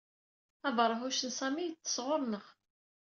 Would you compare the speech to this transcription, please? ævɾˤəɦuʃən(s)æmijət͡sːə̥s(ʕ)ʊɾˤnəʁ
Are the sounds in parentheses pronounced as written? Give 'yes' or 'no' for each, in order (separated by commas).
yes, no